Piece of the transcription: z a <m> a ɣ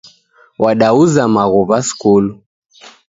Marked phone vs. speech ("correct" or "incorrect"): correct